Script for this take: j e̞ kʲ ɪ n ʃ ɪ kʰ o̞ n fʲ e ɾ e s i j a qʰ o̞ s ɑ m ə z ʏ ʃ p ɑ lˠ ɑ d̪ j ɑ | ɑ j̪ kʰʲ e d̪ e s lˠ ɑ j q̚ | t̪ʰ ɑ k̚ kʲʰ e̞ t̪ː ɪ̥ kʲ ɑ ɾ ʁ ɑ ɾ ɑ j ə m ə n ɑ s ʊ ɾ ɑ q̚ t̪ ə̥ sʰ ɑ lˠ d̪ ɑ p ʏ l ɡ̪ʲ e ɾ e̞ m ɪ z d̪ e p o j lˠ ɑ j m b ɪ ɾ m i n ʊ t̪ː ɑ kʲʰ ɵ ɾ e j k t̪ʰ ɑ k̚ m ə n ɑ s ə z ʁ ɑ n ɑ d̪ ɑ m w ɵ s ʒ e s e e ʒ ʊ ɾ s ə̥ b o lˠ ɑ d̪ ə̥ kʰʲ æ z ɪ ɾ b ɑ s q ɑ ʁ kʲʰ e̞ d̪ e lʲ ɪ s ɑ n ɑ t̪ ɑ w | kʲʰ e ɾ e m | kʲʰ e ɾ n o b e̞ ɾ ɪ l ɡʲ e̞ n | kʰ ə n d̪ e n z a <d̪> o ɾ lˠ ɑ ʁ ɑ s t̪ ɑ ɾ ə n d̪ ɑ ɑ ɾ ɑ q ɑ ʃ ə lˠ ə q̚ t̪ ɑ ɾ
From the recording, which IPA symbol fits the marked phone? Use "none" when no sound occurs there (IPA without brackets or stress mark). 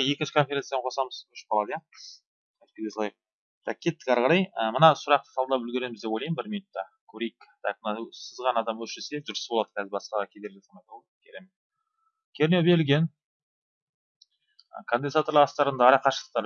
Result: t̪